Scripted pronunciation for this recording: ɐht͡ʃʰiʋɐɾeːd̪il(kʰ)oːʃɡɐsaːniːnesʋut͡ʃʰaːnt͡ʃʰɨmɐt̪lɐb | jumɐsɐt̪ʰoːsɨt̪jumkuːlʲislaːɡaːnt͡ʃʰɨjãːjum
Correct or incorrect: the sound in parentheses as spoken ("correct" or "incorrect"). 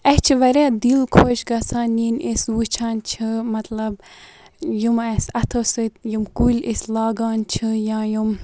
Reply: correct